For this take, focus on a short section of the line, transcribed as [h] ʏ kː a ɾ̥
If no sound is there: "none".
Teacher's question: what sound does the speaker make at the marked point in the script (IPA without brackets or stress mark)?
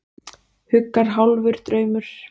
h